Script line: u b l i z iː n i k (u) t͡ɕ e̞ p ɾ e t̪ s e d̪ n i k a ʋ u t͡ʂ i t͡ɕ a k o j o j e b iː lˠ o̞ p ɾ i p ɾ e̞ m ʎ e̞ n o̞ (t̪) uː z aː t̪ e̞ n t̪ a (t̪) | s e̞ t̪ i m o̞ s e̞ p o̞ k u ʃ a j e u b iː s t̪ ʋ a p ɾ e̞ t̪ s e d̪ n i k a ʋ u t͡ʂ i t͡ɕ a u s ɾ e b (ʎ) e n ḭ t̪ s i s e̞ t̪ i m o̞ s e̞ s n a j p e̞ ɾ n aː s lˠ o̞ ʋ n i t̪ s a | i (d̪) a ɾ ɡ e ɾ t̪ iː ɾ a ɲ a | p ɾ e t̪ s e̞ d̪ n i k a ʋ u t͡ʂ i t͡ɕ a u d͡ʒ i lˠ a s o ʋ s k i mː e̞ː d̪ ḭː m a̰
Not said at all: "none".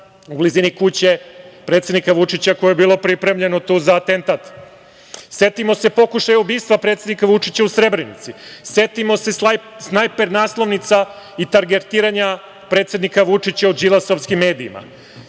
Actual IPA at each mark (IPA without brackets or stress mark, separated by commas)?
u, t̪, t̪, ɾ, t̪